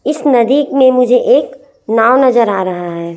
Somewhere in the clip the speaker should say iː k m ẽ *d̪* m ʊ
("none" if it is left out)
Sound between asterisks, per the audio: none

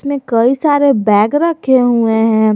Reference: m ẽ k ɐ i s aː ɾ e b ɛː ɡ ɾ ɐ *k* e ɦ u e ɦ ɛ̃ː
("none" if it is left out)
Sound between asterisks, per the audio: kʰ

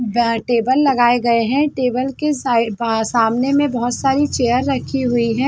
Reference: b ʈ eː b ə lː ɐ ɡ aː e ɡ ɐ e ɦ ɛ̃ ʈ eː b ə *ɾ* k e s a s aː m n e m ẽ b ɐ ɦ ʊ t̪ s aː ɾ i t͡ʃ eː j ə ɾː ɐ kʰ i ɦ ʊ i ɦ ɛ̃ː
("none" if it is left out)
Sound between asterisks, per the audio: l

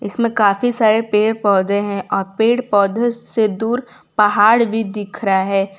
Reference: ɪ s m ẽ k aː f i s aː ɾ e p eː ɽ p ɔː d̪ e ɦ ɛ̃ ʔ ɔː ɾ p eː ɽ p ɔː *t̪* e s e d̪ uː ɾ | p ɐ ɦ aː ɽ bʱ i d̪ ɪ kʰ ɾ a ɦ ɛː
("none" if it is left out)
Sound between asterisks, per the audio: d̪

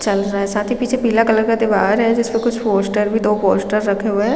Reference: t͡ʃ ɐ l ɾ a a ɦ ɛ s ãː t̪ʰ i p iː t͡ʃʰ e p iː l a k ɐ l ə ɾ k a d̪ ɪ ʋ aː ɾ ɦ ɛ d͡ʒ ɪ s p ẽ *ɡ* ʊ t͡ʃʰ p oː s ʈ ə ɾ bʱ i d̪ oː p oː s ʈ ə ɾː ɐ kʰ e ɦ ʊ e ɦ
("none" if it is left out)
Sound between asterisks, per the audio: k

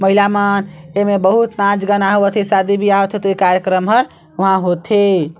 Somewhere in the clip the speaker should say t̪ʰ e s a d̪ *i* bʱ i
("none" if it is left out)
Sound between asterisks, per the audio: i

